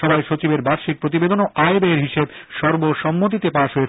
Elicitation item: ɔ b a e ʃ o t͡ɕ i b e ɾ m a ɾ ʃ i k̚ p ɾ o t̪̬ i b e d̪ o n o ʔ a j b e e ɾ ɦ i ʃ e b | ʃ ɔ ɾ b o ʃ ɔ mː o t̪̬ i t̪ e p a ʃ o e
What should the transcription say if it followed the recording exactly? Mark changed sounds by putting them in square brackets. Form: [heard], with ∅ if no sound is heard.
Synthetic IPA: ɔ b a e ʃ o t͡ɕ i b e ɾ [b] a ɾ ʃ i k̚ p ɾ o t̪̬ i b e d̪ o n o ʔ a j b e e ɾ ɦ i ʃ e b | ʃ ɔ ɾ b o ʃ ɔ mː o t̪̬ i t̪ e p a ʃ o e

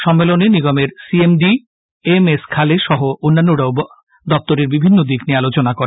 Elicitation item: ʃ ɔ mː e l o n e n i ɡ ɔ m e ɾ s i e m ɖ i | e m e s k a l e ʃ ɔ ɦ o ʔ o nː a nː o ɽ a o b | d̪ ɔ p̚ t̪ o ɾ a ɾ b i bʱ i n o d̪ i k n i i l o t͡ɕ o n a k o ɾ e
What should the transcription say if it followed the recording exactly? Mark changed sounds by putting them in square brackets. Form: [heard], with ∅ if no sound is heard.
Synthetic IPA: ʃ ɔ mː e l o n e n i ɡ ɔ m e ɾ s i e m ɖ i | e m e s [kʰ] a l e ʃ ɔ ɦ o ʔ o nː a nː o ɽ a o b | d̪ ɔ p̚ t̪ o ɾ [e] ɾ b i bʱ i [nː] o d̪ i k n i [a] l o t͡ɕ o n a k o ɾ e

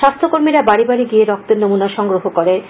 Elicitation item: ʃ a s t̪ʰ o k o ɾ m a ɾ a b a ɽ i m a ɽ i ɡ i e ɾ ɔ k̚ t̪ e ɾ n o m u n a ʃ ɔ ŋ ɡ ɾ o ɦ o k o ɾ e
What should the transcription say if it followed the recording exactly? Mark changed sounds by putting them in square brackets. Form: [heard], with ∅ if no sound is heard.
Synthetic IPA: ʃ a s t̪ʰ o k o ɾ m [i] ɾ a b a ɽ i [b] a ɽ i ɡ i e ɾ ɔ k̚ t̪ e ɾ n o m u n a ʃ ɔ ŋ ɡ ɾ o ɦ o k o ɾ e

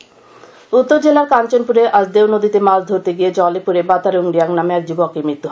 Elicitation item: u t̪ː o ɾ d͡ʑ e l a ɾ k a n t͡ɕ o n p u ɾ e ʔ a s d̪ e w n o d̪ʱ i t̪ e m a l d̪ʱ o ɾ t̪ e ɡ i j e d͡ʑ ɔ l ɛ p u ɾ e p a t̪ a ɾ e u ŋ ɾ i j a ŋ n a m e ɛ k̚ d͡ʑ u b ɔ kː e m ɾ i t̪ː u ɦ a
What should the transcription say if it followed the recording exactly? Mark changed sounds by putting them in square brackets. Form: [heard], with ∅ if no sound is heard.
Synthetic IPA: u t̪ː o ɾ d͡ʑ e l a ɾ k a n t͡ɕ o n p u ɾ e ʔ a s d̪ e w n o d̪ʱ i t̪ e m a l d̪ʱ o ɾ t̪ e ɡ i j e d͡ʑ ɔ l [e] p u ɾ e [b] a t̪ a ɾ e u ŋ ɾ i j a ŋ n a m e ɛ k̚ d͡ʑ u b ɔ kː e m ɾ i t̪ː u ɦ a

